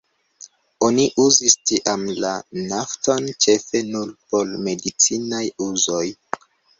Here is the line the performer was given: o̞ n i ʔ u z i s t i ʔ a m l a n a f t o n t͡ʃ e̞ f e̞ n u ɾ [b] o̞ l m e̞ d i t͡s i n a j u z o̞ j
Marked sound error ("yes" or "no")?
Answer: yes